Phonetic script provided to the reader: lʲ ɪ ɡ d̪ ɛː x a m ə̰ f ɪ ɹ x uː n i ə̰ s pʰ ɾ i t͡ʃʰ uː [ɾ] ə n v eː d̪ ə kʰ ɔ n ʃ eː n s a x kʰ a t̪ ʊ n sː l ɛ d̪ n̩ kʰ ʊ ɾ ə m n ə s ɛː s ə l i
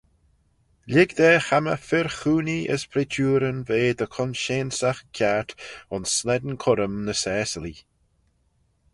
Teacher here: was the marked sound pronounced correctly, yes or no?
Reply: yes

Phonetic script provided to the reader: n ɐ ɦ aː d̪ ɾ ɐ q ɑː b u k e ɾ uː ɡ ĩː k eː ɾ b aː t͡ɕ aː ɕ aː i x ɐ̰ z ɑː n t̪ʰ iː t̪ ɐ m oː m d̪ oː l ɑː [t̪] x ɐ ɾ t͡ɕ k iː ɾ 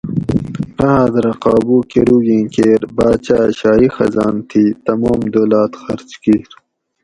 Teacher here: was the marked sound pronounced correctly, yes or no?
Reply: yes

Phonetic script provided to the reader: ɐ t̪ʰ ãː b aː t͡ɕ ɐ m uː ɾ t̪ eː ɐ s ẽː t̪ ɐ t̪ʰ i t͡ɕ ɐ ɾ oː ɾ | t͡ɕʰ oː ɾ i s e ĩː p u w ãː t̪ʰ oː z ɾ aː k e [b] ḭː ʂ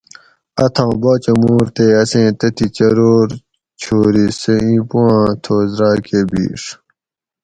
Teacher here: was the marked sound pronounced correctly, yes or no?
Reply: yes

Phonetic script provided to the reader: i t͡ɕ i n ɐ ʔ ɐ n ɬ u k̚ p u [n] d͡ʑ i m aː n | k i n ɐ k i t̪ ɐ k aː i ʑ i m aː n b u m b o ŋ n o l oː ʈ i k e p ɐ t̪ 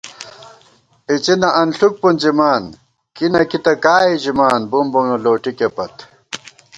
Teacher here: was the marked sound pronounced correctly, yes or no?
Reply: yes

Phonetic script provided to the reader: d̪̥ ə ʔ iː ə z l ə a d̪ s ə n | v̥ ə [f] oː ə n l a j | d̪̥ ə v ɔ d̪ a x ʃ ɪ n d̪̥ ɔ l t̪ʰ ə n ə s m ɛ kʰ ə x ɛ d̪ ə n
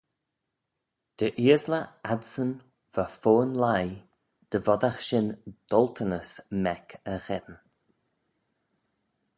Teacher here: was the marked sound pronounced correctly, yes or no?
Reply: yes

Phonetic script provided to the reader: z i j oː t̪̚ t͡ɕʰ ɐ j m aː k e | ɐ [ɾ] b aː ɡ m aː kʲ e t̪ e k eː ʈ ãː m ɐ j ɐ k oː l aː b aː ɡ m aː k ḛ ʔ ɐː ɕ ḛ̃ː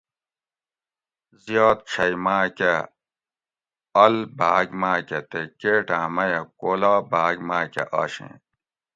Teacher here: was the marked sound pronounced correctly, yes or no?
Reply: no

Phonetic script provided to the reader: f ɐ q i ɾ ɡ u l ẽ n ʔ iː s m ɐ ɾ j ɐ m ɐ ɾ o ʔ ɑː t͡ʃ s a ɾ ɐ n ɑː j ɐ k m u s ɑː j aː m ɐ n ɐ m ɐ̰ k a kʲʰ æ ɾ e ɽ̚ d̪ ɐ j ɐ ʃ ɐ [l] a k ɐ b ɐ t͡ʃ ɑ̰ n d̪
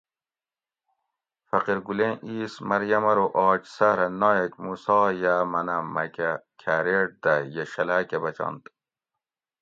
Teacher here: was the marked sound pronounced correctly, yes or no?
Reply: yes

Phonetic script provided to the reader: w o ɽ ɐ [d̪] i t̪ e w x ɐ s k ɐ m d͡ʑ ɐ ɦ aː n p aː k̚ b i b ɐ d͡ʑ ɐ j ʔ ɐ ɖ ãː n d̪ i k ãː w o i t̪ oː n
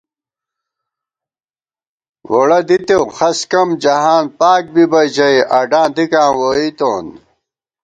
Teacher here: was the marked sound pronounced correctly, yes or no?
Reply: yes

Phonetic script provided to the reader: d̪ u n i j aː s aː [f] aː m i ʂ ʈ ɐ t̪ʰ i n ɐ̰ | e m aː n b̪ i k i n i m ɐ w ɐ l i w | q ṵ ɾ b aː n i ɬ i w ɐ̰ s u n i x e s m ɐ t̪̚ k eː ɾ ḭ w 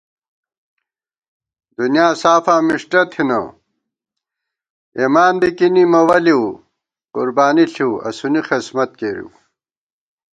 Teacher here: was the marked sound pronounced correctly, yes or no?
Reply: yes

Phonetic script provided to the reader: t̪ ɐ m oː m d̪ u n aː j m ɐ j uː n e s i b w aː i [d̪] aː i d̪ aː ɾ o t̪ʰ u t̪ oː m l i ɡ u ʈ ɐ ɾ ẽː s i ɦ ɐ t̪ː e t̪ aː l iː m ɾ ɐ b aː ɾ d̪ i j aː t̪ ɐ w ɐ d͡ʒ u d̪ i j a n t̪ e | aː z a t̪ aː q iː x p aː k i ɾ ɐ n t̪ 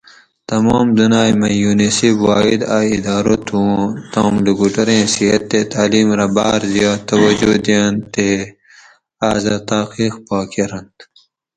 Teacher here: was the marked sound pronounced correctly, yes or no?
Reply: yes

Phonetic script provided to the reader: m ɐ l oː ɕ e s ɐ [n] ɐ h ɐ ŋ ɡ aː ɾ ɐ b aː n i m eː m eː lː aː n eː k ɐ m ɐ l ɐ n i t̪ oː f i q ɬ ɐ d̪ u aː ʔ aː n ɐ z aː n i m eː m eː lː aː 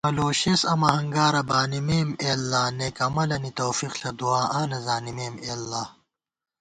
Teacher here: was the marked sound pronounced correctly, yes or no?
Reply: no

